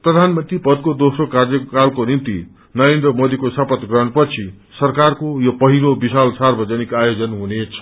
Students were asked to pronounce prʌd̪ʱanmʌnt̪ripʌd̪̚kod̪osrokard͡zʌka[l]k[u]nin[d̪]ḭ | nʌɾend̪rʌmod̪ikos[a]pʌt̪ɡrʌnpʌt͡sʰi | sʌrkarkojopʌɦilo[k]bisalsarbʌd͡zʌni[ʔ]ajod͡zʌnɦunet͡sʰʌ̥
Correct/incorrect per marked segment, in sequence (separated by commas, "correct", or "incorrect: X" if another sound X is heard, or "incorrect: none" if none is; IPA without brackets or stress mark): correct, incorrect: o, incorrect: t̪, incorrect: ʌ, incorrect: none, incorrect: k